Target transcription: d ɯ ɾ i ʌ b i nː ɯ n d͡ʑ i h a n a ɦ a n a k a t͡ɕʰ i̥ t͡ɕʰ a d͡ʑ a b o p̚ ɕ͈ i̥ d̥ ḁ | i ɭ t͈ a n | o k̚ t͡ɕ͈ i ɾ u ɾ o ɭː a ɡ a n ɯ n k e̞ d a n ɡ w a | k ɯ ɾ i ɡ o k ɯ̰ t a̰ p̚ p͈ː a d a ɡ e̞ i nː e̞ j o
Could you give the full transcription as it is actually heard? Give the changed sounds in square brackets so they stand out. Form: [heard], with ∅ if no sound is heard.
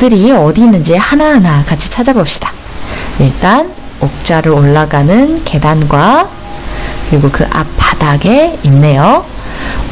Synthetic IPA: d ɯ ɾ i ʌ [d] i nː ɯ n d͡ʑ i h a n a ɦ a n a k a t͡ɕʰ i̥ t͡ɕʰ a d͡ʑ a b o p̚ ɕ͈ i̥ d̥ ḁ | i ɭ t͈ a n | o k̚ t͡ɕ͈ [a] ɾ [ɯ] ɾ o ɭː a ɡ a n ɯ n k e̞ d a n ɡ w a | k ɯ ɾ i ɡ o k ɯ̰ [ʔ] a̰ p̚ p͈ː a d a ɡ e̞ i nː e̞ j o